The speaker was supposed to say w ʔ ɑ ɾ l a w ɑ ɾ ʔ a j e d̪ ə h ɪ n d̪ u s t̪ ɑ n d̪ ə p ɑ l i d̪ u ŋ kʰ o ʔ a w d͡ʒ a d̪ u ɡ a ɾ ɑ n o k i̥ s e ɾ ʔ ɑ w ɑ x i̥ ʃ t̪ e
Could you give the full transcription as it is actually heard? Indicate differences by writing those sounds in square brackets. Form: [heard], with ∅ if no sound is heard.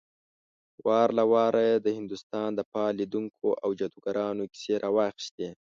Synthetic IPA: w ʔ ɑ ɾ l a w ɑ ɾ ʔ a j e d̪ ə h ɪ n d̪ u s t̪ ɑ n d̪ ə p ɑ l i d̪ u ŋ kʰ o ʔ a w d͡ʒ a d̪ u ɡ a ɾ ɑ n o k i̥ s e ɾ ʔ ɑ w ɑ x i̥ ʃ t̪ e